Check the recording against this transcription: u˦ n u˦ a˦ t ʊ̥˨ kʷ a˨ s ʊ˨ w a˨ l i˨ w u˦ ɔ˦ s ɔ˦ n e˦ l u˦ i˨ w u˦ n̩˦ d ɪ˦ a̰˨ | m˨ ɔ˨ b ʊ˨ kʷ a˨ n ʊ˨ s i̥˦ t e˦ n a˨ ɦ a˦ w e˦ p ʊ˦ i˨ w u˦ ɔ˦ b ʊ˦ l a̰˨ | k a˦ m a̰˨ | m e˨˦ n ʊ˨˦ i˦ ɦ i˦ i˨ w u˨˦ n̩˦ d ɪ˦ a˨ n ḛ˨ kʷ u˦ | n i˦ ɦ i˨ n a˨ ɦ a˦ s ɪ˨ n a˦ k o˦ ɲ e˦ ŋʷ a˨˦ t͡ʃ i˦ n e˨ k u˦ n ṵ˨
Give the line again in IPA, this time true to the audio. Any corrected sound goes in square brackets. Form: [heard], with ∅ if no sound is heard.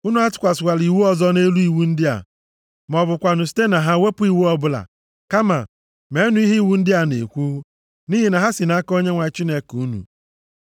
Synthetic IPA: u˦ n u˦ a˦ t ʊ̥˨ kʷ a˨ s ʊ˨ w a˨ l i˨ w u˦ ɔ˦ [z] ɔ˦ n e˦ l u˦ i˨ w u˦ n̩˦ d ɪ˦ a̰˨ | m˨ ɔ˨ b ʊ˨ kʷ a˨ n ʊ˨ s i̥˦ t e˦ n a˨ ɦ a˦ w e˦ p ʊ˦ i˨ w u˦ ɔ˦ b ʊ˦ l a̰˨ | k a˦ m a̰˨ | m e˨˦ n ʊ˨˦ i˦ ɦ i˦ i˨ w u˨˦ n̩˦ d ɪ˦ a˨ n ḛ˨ kʷ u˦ | n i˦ ɦ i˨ n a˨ ɦ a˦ s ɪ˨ n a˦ k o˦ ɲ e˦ ŋʷ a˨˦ t͡ʃ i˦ n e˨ k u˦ n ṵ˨

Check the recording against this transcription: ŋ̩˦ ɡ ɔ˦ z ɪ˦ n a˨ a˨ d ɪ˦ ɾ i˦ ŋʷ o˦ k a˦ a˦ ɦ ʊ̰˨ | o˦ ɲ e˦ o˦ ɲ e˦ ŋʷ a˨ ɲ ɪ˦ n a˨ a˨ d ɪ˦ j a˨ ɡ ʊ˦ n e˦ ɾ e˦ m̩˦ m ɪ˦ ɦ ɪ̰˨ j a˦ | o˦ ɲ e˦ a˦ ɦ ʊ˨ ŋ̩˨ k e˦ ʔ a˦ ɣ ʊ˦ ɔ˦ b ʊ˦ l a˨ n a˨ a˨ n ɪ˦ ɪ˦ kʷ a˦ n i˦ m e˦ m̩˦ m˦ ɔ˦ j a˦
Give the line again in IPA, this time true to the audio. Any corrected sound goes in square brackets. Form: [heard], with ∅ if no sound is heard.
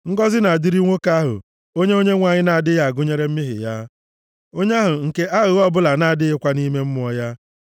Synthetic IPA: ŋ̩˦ ɡ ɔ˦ z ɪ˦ n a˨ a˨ d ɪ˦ ɾ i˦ ŋʷ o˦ k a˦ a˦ ɦ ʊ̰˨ | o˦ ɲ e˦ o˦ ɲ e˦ ŋʷ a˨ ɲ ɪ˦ n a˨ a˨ d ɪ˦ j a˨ ɡ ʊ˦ [ɲ] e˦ ɾ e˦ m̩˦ m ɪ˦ ɦ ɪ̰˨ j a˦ | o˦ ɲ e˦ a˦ ɦ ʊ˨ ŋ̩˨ k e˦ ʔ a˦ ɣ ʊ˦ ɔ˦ b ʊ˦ l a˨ n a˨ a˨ [d] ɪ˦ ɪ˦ kʷ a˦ n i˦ m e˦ m̩˦ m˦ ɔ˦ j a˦

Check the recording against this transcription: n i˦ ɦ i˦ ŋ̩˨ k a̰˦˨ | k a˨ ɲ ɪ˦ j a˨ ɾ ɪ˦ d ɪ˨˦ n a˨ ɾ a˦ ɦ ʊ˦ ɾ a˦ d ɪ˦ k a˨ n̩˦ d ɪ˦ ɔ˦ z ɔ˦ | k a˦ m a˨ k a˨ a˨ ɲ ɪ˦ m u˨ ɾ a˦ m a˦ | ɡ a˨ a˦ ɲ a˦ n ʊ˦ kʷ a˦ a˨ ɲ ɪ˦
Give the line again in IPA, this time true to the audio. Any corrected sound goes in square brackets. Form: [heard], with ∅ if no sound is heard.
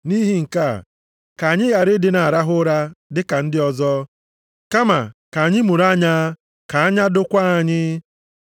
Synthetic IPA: n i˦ ɦ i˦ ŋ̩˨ k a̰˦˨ | k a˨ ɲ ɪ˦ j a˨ ɾ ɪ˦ d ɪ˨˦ n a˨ ɾ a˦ ɦ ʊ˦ ɾ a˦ d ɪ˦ k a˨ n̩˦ d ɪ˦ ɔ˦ z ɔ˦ | k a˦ m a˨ k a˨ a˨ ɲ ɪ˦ m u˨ ɾ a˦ [ɲ] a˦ | [k] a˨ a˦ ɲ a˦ [d] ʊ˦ kʷ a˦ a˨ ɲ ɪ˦

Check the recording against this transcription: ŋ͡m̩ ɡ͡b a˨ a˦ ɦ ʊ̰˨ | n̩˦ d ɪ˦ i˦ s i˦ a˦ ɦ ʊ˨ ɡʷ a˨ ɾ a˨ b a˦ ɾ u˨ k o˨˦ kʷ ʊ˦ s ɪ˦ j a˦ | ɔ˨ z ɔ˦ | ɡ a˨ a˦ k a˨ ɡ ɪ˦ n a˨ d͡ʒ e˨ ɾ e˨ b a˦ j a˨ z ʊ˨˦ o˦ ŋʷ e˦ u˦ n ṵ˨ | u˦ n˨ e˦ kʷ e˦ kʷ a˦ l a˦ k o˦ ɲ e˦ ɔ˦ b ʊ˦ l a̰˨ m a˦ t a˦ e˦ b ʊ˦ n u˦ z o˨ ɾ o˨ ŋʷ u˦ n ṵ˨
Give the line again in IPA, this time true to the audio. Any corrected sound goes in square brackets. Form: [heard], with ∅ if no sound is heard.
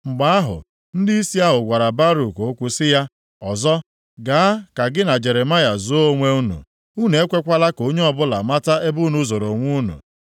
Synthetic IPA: ŋ͡m̩ ɡ͡b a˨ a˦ ɦ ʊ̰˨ | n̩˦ d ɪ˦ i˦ s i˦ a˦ ɦ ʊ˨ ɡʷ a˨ ɾ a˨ b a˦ ɾ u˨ k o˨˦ kʷ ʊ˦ s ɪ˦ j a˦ | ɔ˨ z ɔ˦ | ɡ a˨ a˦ k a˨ ɡ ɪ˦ n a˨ d͡ʒ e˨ ɾ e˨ [m] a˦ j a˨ z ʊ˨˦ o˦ ŋʷ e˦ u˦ n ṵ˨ | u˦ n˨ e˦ kʷ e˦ kʷ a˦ l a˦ k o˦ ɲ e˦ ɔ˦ b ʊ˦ l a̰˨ m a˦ t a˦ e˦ b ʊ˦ n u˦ z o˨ ɾ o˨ ŋʷ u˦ n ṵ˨

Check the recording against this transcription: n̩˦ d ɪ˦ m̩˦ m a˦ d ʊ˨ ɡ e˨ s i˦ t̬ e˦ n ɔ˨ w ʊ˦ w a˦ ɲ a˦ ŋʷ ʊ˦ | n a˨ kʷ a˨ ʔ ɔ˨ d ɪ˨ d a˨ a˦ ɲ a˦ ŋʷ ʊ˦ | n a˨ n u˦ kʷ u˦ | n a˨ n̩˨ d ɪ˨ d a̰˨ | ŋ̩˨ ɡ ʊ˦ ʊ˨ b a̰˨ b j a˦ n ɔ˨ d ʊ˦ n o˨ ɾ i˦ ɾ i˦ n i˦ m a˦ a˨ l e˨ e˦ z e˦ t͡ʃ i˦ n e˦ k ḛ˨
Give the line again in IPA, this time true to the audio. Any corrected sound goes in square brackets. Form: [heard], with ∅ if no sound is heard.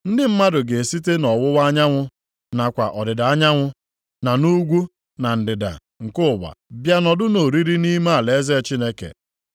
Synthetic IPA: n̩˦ d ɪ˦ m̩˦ m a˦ d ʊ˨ ɡ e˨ s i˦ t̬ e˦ n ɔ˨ w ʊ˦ w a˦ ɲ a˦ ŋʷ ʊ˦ | n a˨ kʷ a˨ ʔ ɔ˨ d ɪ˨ d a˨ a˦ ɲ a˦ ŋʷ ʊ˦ | n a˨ n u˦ [ɡʷ] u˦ | n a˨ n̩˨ d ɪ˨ d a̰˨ | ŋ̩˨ [k] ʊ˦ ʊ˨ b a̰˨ b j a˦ n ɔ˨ d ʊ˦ n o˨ ɾ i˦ ɾ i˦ n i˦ m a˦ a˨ l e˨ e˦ z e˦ t͡ʃ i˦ n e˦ k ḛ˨

